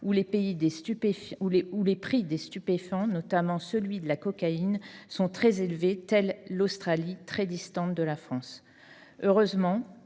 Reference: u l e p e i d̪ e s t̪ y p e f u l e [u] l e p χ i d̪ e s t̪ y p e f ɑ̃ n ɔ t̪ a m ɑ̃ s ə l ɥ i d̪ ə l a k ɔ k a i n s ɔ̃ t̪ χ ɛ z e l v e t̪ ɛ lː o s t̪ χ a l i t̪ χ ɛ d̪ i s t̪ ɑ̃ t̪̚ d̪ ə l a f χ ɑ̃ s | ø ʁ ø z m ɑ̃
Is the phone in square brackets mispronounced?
no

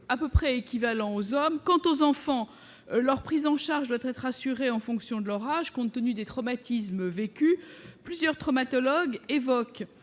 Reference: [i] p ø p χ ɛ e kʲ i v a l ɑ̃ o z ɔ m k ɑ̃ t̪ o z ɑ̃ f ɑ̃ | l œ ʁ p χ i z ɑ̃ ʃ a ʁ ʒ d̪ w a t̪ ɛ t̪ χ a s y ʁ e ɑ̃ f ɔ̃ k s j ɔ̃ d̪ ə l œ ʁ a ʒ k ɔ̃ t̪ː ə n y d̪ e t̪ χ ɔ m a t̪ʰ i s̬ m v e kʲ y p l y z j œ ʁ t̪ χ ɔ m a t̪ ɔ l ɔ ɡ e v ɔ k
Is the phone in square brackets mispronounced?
yes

